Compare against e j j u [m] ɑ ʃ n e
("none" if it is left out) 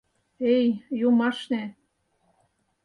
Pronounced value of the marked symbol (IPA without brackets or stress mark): m